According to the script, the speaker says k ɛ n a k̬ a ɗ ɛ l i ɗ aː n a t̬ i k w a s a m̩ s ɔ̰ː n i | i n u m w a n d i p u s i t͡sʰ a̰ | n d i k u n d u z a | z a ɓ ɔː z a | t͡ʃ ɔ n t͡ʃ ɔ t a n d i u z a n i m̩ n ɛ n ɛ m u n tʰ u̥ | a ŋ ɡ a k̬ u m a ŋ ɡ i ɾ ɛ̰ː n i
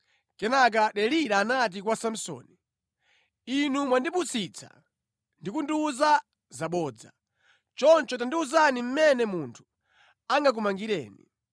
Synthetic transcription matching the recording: k ɛ n a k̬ a ɗ ɛ l i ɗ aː n a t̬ i k w a s a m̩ s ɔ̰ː n i | i n u m w a n d i p u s i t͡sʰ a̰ | n d i k u n d u z a | z a ɓ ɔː d͡z a | t͡ʃ ɔ n t͡ʃ ɔ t a n d i u z a n i m̩ m ɛ n ɛ m u n tʰ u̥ | a ŋ ɡ a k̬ u m a ŋ ɡ i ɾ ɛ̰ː n i